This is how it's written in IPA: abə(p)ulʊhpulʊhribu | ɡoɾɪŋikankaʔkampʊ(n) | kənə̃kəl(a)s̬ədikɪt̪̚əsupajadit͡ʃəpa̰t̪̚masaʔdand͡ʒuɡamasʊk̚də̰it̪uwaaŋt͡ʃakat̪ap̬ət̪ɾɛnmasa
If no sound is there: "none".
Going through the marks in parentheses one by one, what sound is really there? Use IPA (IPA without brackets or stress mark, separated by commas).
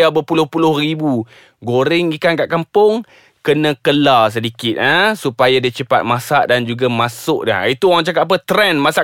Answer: p, ŋ, a